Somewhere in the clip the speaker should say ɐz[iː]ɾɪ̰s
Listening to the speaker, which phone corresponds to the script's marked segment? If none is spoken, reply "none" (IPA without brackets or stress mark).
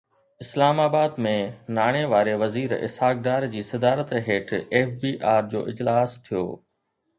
iː